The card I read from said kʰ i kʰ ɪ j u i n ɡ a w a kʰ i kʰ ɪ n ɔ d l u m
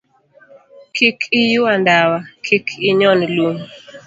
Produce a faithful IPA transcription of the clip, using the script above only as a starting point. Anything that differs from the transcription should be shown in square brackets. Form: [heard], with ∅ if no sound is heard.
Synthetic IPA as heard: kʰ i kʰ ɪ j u [a] n [d] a w a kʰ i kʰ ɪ [ɲ] ɔ [n] l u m